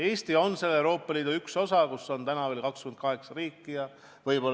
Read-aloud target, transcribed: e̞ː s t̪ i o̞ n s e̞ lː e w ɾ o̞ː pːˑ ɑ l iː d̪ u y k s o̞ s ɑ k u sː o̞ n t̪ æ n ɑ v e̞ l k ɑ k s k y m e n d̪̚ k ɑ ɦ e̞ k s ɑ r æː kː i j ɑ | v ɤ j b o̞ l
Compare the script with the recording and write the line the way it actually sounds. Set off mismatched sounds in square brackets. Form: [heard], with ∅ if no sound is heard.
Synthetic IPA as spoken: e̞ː s t̪ i o̞ n s e̞ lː e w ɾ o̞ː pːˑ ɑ l iː d̪ u y k s o̞ s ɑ k u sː o̞ n t̪ æ n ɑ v e̞ l k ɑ k s k y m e n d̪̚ k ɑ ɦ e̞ k s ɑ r [iː] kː i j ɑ | v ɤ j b o̞ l

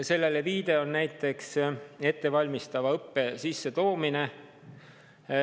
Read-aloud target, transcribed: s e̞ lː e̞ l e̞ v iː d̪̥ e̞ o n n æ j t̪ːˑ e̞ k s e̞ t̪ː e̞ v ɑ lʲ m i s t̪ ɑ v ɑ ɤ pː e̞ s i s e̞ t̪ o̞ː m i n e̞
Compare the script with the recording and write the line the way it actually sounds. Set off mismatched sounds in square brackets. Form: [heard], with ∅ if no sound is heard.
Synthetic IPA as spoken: s e̞ lː e̞ l e̞ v iː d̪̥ e̞ o n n æ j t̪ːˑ e̞ k s e̞ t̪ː e̞ v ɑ lʲ m i s t̪ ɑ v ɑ ɤ pː e̞ s i [sː] e̞ t̪ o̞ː m i n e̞

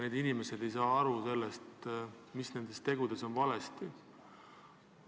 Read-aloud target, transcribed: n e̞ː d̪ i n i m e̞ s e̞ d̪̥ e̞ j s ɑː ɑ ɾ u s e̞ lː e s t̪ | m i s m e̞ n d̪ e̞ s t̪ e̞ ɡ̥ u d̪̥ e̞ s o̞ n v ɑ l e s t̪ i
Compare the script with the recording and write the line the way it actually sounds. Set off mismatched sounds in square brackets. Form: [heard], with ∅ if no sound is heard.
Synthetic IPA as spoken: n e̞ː d̪ i n i m e̞ s e̞ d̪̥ e̞ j s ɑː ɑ ɾ u s e̞ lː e s t̪ | m i s [n] e̞ n d̪ e̞ s t̪ e̞ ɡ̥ u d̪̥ e̞ s o̞ n v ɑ l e s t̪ i

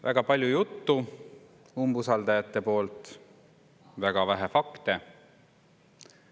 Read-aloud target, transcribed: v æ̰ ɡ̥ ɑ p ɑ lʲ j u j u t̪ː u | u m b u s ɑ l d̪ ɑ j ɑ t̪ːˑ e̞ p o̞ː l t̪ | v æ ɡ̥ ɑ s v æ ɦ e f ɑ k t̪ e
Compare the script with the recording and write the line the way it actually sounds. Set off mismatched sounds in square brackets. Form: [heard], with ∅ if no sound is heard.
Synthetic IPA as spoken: v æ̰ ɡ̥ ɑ p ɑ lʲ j u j u t̪ː u | u m b u s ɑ l d̪ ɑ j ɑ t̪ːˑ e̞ p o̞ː l t̪ | v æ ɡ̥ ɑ [∅] v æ ɦ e f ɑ k t̪ e

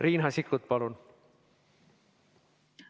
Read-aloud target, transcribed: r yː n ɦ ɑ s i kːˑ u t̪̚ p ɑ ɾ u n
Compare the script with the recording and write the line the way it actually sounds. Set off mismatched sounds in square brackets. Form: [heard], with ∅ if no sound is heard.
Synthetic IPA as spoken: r [iː] n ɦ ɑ s i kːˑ u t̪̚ p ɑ [l] u n

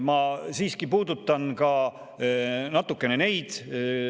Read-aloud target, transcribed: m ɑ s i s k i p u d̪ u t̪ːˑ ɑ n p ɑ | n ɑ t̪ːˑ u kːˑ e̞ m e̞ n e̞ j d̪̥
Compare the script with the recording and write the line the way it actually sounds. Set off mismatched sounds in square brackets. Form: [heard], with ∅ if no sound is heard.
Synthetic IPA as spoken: m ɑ s [iː] s k i p [uː] d̪ u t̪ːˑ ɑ n [k] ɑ | n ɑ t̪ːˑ u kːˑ e̞ [n] e̞ n e̞ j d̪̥

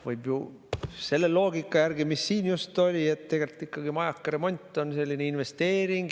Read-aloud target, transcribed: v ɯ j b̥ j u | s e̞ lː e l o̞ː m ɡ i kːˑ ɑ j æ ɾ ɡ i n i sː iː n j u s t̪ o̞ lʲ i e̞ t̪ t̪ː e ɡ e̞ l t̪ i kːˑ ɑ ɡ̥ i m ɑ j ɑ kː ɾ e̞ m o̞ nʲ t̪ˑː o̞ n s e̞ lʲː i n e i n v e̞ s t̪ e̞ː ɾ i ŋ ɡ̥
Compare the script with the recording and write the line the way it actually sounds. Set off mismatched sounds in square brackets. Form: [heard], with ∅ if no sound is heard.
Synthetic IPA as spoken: v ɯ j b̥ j u | s e̞ lː e l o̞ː [∅] ɡ i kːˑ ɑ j æ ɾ ɡ i [m] i sː iː n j u s t̪ o̞ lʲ i e̞ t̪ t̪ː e ɡ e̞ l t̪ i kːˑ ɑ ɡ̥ i m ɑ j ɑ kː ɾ e̞ m o̞ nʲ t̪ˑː o̞ n s e̞ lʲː i n e i n v e̞ s t̪ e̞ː ɾ i ŋ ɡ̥

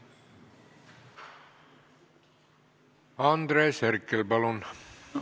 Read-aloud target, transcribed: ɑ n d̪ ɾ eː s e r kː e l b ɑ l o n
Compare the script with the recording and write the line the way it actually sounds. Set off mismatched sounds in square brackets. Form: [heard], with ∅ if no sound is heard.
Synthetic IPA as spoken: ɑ n d̪ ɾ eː s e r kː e l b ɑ l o n

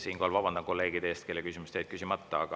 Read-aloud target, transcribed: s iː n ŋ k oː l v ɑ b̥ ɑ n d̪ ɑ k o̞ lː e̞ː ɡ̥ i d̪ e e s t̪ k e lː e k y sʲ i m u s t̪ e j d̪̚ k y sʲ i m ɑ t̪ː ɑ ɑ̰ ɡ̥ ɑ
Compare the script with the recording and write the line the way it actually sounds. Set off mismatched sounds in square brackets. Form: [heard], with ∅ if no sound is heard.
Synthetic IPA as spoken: s iː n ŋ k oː l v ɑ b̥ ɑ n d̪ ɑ k o̞ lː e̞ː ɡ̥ i d̪ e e s t̪ k e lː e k y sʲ i m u s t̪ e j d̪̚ k y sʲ i m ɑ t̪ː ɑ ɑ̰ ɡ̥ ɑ

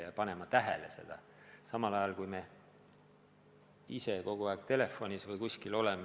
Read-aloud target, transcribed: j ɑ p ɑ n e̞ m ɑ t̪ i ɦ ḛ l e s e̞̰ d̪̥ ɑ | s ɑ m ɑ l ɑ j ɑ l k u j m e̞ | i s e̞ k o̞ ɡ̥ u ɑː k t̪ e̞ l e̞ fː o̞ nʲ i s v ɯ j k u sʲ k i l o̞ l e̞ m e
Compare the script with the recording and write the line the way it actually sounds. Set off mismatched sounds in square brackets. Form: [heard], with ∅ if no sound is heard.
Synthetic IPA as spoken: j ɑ p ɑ n e̞ m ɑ t̪ [æ] ɦ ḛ l e s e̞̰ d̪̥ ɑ | s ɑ m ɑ l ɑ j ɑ l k u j m e̞ | i s e̞ k o̞ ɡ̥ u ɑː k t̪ e̞ l e̞ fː o̞ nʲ i s v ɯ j k u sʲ k i l o̞ l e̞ m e

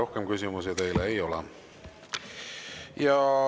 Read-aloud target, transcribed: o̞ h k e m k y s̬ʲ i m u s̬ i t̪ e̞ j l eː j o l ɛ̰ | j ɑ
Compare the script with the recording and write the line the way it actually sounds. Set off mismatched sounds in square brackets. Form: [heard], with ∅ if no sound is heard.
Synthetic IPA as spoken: o̞ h k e m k y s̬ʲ i m u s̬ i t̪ e̞ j l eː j o l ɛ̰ | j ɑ

